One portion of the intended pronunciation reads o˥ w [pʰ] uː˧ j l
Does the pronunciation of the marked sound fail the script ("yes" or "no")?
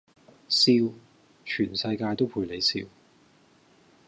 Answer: no